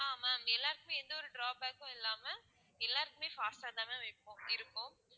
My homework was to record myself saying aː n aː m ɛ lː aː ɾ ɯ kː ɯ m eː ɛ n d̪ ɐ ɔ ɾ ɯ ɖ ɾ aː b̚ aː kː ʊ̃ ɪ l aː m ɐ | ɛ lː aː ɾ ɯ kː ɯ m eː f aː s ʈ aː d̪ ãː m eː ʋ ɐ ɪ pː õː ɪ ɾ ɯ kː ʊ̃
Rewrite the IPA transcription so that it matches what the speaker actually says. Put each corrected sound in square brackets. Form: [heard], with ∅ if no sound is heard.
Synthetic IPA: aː [m] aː m ɛ lː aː ɾ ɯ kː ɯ m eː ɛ n d̪ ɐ ɔ ɾ ɯ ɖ ɾ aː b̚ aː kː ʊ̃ ɪ [lː] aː m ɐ | ɛ lː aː ɾ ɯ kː ɯ m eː f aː s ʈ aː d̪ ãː m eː ʋ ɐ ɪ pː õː ɪ ɾ ɯ kː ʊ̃